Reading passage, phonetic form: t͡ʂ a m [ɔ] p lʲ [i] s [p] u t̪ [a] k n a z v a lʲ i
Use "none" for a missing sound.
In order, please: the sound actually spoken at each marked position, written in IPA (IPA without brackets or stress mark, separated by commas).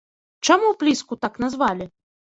u, i, k, a